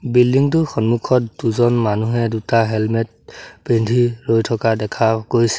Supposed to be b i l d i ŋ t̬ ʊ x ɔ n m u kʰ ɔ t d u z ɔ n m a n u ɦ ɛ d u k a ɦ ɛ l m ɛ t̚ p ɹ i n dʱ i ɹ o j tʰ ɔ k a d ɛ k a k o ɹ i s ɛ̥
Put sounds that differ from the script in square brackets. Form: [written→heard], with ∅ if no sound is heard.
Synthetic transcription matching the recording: b i l d i ŋ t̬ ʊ x ɔ n m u kʰ ɔ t d u z ɔ n m a n u ɦ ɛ d u [k→t] a ɦ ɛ l m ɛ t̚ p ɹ i n dʱ i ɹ o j tʰ ɔ k a d ɛ [k→kʰ] a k o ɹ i s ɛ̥